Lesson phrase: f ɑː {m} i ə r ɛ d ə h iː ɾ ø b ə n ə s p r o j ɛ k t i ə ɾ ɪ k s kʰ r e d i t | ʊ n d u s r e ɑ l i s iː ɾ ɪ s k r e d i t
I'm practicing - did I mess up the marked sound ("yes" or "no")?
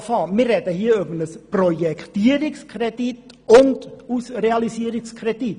no